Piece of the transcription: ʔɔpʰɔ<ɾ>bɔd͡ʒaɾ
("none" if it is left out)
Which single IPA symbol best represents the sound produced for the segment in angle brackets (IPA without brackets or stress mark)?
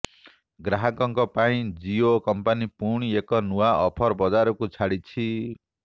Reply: ɾ